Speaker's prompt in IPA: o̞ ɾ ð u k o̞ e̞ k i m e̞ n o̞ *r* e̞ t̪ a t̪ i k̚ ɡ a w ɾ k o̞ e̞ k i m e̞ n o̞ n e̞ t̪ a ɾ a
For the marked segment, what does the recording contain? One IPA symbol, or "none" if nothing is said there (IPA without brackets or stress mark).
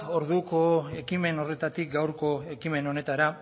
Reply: r